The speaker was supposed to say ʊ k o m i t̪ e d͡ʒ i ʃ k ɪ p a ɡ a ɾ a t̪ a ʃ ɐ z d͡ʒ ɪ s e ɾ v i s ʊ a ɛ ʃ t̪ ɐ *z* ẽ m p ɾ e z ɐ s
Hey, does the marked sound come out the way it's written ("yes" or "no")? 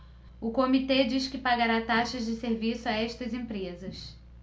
yes